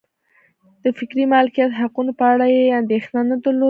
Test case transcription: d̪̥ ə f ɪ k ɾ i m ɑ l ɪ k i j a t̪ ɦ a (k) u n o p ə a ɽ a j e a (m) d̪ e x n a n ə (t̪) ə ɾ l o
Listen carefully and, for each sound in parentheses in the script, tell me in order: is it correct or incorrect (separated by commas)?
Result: incorrect, incorrect, incorrect